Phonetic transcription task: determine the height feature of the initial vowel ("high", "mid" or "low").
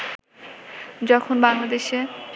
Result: mid